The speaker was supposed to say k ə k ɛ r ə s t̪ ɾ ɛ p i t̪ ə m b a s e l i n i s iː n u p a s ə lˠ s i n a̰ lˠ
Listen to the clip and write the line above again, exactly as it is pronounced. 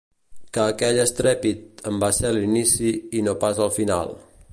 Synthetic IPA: k əː k ɛ ʎ ə s t̪ ɾ ɛ p i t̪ ə m b a s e l i n i s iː n o p a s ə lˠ f i n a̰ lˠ